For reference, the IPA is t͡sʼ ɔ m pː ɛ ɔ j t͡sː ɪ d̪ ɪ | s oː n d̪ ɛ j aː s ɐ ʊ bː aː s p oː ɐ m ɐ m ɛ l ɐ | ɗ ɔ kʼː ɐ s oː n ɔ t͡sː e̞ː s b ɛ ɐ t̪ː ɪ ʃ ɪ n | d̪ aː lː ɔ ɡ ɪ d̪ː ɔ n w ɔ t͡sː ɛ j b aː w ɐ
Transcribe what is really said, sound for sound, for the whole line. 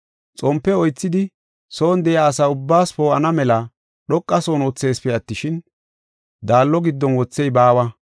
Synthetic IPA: t͡sʼ ɔ m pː ɛ ɔ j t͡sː ɪ d̪ ɪ | s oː n d̪ ɛ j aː s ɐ ʊ bː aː s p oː ɐ n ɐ m ɛ l ɐ | ɗ ɔ kʼː ɐ s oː n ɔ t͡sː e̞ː s p ɛ ɐ t̪ː ɪ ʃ ɪ n | d̪ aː lː ɔ ɡ ɪ d̪ː ɔ n w ɔ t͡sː ɛ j b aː w ɐ